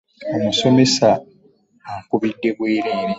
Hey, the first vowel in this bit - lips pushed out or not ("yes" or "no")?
yes